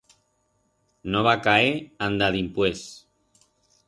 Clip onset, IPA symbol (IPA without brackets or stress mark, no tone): n